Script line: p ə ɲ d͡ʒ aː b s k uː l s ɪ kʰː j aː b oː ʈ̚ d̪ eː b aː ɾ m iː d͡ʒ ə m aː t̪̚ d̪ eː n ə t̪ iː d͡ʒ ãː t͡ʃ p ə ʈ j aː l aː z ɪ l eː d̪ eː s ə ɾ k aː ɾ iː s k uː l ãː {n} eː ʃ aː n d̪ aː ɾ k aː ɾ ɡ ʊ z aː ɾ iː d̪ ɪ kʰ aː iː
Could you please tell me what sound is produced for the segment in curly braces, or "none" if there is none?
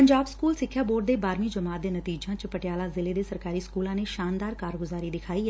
n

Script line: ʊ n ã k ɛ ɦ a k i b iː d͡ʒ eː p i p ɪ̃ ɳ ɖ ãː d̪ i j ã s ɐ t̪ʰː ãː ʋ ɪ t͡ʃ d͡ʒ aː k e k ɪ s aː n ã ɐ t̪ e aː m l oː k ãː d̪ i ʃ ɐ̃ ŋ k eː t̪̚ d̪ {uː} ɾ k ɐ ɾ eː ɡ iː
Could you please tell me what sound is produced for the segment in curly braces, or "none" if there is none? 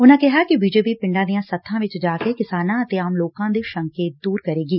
uː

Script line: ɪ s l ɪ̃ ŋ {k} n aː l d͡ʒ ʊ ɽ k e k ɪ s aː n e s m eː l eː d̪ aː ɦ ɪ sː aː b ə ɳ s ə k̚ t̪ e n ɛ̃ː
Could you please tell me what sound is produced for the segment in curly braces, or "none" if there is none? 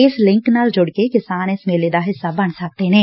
k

